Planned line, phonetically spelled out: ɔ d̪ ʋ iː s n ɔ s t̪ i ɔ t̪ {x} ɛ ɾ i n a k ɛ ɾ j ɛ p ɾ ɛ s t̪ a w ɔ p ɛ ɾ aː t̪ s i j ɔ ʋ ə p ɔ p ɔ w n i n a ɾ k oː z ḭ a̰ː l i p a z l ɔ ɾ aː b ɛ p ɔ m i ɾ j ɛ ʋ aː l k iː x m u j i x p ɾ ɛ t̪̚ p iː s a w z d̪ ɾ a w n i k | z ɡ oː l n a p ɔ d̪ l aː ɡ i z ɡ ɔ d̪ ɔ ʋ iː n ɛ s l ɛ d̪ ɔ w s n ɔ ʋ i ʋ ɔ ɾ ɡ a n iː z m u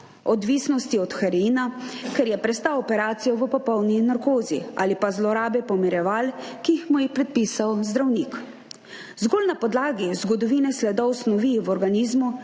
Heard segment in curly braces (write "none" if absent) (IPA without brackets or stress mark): x